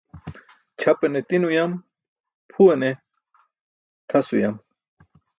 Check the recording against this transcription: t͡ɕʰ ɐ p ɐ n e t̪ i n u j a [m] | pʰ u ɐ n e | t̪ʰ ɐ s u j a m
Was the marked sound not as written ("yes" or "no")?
no